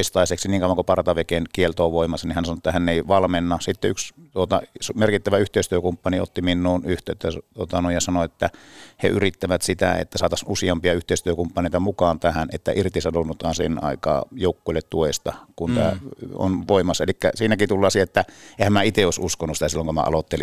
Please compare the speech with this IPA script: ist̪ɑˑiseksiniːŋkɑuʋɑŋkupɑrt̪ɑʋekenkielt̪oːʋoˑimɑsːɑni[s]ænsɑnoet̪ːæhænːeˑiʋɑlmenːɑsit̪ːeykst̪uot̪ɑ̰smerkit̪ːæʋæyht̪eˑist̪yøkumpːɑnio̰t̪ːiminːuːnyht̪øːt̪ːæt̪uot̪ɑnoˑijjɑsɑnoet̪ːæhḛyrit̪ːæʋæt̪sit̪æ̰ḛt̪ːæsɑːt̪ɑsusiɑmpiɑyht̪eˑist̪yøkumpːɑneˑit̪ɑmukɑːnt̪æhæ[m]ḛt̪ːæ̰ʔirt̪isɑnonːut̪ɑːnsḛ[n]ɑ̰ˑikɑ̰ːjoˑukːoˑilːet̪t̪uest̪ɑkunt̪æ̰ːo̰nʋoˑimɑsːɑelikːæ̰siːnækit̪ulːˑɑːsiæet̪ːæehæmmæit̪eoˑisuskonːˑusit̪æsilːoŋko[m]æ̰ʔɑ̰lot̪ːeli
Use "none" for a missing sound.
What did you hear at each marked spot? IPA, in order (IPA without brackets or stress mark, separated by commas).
h, n, n, m